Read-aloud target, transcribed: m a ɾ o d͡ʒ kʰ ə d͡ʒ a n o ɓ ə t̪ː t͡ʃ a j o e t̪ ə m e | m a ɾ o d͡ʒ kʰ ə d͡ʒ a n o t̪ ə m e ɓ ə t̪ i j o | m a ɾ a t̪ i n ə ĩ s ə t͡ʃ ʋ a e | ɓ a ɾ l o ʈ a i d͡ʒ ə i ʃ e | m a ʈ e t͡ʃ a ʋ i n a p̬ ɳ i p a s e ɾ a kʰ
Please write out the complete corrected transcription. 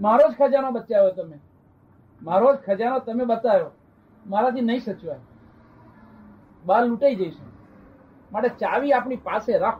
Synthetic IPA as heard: m a ɾ o d͡ʒ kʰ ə d͡ʒ a n o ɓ ə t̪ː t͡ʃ a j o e t̪ ə m e | m a ɾ o d͡ʒ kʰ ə d͡ʒ a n o t̪ ə m e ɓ ə t̪ a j o | m a ɾ a t̪ i n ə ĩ s ə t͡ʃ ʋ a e | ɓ a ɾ l u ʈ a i d͡ʒ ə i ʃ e | m a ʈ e t͡ʃ a ʋ i a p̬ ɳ i p a s e ɾ a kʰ